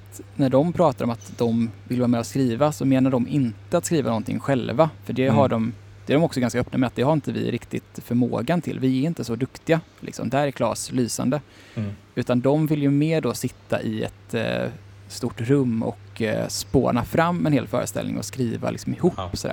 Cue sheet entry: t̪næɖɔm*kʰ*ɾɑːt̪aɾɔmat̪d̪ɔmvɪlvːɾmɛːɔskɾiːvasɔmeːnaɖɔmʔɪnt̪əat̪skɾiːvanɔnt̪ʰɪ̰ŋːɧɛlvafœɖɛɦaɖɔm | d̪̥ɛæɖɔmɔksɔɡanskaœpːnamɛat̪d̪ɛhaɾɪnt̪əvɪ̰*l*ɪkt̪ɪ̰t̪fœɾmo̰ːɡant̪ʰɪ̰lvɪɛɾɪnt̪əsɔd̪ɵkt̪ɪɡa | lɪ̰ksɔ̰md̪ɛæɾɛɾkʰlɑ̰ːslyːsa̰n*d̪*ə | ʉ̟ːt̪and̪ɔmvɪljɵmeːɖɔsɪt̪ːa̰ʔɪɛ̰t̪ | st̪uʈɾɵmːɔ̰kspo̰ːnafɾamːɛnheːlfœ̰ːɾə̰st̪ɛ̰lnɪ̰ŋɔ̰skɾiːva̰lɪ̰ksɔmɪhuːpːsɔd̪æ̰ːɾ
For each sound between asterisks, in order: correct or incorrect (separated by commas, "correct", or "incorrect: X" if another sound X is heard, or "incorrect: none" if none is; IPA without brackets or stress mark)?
incorrect: pʰ, incorrect: ɾ, correct